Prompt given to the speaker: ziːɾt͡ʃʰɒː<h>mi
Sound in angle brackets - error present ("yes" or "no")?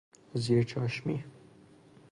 yes